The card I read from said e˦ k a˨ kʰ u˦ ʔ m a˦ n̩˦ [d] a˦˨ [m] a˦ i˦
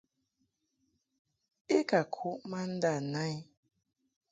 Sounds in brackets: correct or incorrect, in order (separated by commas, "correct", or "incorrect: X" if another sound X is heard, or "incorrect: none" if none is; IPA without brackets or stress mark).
correct, incorrect: n